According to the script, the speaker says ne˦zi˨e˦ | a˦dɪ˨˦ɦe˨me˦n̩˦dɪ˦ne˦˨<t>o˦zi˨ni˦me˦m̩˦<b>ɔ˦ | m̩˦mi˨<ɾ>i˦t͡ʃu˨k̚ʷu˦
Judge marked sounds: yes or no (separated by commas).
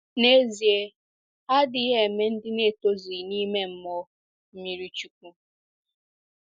yes, no, yes